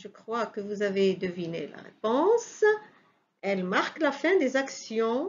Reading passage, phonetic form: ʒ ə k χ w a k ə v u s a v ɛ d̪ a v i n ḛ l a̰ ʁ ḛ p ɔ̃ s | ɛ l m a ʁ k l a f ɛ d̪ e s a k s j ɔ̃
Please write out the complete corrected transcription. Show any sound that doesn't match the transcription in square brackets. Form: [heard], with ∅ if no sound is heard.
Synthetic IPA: ʒ ə k χ w a k ə v u [z] a v [e] d̪ [ə] v i n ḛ l a̰ ʁ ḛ p ɔ̃ s | ɛ l m a ʁ k l a f [ɛ̃] d̪ e [z] a k s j ɔ̃